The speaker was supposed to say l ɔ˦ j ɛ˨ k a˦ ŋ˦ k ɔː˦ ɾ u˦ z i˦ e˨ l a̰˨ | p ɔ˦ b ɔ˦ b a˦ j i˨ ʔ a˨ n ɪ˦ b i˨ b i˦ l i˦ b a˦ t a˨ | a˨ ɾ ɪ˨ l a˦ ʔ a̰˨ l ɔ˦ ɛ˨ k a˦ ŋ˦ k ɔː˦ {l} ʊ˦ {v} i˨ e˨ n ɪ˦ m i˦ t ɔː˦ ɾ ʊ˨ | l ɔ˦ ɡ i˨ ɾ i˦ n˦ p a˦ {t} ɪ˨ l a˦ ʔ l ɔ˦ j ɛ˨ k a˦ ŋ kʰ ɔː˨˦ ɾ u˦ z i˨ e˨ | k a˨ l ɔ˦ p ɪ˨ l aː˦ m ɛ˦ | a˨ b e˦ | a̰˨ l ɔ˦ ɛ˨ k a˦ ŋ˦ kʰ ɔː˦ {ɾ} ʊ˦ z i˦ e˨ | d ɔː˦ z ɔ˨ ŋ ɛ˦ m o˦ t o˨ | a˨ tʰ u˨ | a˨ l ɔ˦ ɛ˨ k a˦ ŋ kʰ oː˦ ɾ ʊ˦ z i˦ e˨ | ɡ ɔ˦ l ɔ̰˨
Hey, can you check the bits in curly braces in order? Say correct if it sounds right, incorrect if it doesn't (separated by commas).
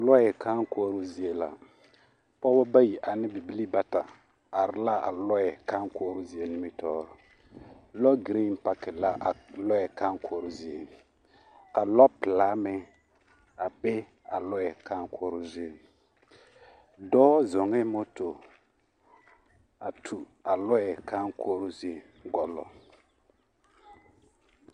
incorrect, incorrect, incorrect, correct